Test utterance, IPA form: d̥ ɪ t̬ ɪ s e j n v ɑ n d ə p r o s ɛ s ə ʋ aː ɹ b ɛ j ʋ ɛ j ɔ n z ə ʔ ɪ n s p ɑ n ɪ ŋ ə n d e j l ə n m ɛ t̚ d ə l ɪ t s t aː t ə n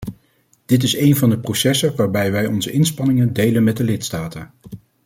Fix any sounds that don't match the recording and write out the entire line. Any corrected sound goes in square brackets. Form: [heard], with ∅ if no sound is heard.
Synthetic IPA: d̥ ɪ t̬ ɪ s e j n v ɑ n d ə p r o s ɛ s ə ʋ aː ɹ b ɛ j ʋ ɛ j ɔ n z ə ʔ ɪ n s p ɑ n ɪ ŋ ə n d e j l ə n m ɛ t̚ d ə l ɪ t s t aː t ə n